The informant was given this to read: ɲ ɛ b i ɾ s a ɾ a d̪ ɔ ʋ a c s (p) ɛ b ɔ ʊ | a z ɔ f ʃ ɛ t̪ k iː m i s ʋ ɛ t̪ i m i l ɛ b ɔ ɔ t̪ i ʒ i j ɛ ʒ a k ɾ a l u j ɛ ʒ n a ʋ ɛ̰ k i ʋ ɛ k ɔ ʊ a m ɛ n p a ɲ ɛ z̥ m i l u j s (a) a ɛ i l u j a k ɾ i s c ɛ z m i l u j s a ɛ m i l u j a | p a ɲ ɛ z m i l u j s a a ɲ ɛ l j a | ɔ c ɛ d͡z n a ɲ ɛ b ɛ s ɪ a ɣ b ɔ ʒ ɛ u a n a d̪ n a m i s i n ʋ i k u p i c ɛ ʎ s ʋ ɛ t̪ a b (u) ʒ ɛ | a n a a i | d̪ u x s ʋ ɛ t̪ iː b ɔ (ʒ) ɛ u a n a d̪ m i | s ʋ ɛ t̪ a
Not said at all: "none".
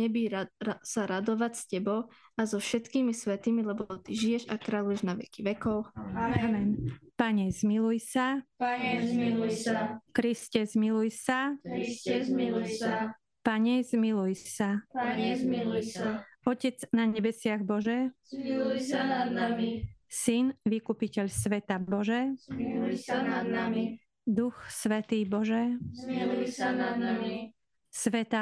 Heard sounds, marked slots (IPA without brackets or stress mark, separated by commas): c, a, ɔ, ʒ